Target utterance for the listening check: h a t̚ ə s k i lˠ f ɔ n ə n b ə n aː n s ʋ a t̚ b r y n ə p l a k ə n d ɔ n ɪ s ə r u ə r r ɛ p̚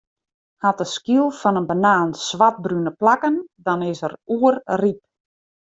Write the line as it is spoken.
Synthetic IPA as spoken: h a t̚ ə s k i lˠ f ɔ n ə n b ə n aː n s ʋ a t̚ b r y n ə p l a k ə n d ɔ n ɪ s ə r u ə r r i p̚

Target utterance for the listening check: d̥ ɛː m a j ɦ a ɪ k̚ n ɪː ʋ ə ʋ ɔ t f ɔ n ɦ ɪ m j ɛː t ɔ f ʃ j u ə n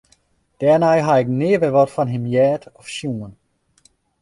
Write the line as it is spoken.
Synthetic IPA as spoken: d̥ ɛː n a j ɦ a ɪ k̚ n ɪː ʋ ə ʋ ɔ t f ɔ n ɦ ɪ m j ɛː t ɔ f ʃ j u ə n

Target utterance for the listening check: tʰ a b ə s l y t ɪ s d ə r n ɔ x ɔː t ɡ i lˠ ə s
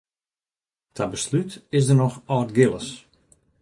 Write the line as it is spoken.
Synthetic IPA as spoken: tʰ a b ə s l y t ɪ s d ə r n ɔ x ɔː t ɡ ɪ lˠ ə s

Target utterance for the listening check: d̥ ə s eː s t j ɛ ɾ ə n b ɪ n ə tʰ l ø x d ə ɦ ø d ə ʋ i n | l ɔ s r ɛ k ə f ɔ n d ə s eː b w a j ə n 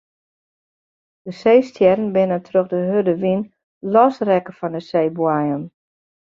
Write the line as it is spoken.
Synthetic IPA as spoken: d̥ ə s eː s t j ɛ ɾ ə n b ɪ n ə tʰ r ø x d ə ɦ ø d ə ʋ i n | l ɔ s r ɛ k ə f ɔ n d ə s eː b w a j ə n

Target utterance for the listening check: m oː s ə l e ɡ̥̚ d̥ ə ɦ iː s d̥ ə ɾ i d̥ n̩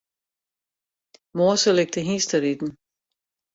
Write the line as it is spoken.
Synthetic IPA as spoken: m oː s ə l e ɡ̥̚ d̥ ə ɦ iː s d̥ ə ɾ i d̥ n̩

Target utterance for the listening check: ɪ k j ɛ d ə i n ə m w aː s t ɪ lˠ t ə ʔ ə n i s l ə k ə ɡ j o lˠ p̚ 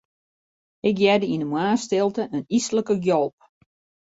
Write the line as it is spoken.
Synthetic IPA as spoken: ɪ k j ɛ d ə i n ə m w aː s t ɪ lˠ t ə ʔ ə n i s l ə k ə ɡ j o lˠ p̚

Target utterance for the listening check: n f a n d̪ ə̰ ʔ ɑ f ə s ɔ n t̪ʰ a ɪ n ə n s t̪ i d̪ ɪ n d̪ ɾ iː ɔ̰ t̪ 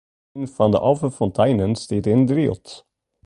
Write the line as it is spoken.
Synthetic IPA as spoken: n f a n d̪ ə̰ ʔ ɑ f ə f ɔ n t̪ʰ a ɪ n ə n s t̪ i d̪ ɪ n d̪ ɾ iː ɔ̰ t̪

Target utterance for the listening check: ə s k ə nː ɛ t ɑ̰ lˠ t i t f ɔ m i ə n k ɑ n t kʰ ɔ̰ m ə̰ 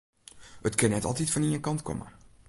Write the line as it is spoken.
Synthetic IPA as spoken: ə t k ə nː ɛ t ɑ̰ lˠ t i t f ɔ n i ə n k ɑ n t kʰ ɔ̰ m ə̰

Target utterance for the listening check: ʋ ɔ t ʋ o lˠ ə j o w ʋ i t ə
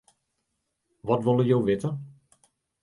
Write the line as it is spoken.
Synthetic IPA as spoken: ʋ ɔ t ʋ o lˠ ə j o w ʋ ɪ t ə

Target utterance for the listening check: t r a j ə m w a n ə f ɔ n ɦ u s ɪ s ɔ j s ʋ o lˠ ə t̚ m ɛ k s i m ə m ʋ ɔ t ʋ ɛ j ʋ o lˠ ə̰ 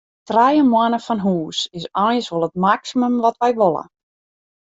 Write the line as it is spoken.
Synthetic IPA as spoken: t r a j ə m w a n ə f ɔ n ɦ uː s ɪ s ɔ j s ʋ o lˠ ə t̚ m a k s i m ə m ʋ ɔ t ʋ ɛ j ʋ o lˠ ə̰

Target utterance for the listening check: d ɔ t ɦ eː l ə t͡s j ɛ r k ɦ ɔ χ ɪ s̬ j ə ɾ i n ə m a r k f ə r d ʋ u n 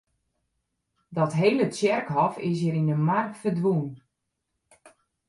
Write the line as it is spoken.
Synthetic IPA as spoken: d ɔ t ɦ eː l ə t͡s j ɛ r k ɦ ɔ f ɪ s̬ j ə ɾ i n ə m a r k f ə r d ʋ u n

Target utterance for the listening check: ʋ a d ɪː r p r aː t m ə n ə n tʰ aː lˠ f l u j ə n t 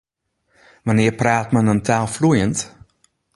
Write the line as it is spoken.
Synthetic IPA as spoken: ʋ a n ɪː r p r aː t m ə n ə n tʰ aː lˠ f l u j ə n t

